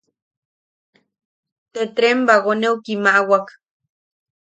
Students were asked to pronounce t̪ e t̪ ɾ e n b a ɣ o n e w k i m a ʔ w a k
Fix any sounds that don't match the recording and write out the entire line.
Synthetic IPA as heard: t̪ e t̪ ɾ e m b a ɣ o n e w k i m a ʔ w a k

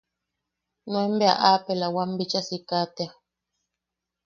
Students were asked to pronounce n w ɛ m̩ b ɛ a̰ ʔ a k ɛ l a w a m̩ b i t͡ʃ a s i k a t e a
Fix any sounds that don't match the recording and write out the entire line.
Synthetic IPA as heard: n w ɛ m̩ b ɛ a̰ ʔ a p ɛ l a w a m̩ b i t͡ʃ a s i k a t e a

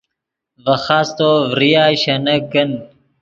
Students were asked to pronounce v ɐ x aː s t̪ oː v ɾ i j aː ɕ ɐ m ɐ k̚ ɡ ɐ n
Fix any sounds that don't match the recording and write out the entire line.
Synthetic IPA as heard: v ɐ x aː s t̪ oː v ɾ i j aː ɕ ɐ n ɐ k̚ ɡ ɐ n

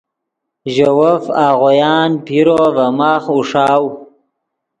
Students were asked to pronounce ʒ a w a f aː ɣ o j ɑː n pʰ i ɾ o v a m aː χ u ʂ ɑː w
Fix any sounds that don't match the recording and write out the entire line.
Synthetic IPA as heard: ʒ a w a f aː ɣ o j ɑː n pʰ i ɾ o v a m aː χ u ʂ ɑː w

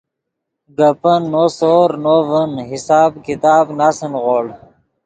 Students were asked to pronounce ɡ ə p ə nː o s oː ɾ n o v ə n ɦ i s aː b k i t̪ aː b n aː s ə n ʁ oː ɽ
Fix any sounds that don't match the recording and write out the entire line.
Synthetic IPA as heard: ɡ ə p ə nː o s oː ɾ n o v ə n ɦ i s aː b k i t̪ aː b n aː s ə n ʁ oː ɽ

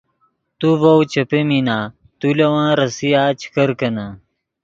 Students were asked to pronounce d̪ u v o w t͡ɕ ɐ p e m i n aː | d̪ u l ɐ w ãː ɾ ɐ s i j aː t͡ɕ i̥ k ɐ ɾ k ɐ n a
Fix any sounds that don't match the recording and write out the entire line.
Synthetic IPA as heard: t̪ u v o w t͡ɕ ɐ p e m i n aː | t̪ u l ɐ w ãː ɾ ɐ s i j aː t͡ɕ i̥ k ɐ ɾ k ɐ n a

